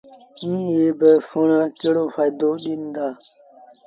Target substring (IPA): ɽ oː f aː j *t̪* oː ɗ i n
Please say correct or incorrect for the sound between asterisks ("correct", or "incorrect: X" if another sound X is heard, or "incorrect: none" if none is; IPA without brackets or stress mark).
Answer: incorrect: d̪